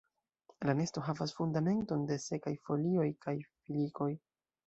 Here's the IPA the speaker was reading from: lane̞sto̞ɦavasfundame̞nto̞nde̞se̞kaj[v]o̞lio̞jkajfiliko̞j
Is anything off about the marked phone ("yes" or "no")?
yes